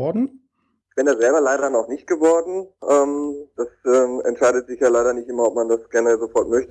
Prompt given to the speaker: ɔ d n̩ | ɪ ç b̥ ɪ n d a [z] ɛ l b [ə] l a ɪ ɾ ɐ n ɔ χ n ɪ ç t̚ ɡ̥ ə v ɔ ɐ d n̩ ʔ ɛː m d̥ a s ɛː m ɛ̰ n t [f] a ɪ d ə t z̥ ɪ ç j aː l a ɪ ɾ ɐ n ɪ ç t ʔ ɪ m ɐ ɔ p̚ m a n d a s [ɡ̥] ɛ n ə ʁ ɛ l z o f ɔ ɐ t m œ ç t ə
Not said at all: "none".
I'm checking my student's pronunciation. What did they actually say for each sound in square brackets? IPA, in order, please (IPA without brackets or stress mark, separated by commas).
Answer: z, ɐ, ʃ, ɡ̥